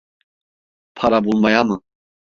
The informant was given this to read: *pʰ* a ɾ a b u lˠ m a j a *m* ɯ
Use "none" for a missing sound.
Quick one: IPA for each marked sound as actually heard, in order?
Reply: pʰ, m

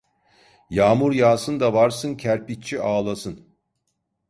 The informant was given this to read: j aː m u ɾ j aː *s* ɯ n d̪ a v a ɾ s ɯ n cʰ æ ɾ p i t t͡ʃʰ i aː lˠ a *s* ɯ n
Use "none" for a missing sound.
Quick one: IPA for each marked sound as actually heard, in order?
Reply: s, s

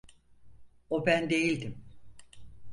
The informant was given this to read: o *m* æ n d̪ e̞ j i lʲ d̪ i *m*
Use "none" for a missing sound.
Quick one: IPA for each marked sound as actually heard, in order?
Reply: b, m

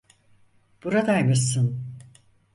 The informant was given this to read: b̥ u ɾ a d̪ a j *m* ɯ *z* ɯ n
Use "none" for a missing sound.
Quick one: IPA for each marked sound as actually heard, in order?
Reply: m, s

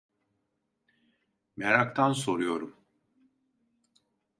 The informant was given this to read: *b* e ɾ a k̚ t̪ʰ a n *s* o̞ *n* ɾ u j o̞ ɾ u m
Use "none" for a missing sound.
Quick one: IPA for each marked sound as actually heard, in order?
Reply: m, s, none

